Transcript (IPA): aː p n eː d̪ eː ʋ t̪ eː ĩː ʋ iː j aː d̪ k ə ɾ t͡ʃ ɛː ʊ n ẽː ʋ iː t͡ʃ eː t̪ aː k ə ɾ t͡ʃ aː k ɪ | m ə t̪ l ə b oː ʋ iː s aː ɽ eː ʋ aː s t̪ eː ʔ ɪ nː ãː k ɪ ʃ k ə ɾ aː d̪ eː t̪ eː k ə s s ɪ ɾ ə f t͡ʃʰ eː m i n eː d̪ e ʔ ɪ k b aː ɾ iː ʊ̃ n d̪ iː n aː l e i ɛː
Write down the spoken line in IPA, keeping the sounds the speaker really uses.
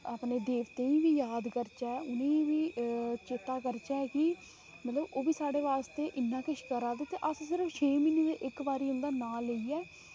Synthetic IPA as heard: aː p n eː d̪ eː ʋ t̪ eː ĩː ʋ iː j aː d̪ k ə ɾ t͡ʃ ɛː ʊ n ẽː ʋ iː t͡ʃ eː t̪ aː k ə ɾ t͡ʃ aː k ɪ | m ə t̪ l ə b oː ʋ iː s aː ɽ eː ʋ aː s t̪ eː ʔ ɪ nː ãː k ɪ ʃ k ə ɾ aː d̪ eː t̪ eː ʔ ə s s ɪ ɾ ə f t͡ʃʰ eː m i n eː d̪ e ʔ ɪ k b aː ɾ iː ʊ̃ n d̪ aː n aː l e i ɛː